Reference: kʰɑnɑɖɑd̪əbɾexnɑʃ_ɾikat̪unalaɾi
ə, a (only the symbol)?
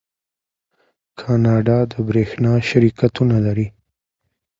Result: a